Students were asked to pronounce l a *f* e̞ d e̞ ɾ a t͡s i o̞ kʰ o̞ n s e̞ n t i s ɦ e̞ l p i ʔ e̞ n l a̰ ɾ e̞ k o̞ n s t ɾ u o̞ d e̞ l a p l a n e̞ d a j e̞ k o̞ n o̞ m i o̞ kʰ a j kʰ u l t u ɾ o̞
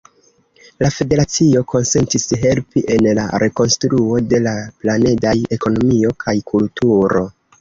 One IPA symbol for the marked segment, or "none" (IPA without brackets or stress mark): f